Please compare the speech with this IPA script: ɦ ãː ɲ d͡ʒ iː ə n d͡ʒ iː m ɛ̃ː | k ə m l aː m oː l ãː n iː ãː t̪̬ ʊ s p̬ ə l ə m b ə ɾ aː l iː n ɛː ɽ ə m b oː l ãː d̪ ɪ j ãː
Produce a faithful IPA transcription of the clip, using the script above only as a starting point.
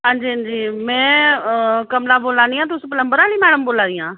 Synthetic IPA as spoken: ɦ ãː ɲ d͡ʒ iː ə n d͡ʒ iː m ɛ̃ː | k ə m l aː b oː l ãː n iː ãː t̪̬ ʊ s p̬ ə l ə m b ə ɾ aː l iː m ɛː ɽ ə m b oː l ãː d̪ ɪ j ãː